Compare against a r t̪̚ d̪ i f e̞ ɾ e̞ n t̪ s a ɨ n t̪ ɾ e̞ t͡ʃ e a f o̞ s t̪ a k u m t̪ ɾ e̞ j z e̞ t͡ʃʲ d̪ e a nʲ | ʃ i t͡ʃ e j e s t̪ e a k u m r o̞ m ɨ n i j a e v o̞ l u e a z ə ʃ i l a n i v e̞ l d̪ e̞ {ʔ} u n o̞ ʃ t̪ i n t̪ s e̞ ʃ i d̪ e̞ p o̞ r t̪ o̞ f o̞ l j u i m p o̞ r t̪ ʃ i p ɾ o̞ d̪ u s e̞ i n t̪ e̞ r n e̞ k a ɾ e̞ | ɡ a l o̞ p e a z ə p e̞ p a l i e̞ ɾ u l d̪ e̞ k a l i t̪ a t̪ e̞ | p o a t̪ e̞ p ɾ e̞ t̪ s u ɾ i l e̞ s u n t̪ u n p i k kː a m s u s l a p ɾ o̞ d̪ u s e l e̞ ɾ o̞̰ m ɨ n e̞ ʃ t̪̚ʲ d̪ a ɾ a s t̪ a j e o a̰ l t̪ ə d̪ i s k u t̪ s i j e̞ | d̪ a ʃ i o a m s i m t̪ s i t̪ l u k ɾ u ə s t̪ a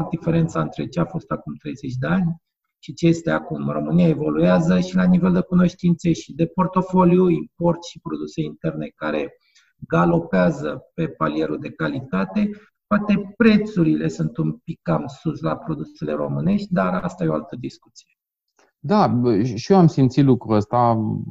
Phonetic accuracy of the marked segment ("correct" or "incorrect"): incorrect